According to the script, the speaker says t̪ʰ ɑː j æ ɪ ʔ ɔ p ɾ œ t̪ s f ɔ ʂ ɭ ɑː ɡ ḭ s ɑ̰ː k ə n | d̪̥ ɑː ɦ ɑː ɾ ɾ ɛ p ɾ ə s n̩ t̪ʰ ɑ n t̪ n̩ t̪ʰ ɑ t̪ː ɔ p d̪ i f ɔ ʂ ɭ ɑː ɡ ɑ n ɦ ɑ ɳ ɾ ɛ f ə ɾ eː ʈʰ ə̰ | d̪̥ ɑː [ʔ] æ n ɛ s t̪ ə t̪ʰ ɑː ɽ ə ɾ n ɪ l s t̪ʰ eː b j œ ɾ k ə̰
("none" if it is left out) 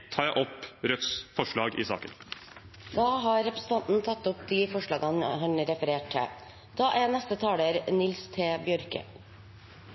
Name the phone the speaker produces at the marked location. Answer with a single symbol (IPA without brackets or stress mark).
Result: ʔ